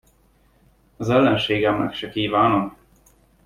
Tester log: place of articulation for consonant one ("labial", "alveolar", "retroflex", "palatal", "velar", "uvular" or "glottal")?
alveolar